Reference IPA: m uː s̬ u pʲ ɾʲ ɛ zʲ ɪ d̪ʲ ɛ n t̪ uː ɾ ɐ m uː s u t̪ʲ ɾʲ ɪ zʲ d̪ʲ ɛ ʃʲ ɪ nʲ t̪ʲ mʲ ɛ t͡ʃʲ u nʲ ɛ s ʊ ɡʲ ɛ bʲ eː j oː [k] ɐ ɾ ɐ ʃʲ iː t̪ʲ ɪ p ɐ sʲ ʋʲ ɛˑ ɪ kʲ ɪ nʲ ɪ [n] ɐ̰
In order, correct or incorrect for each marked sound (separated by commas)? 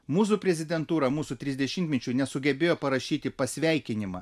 incorrect, incorrect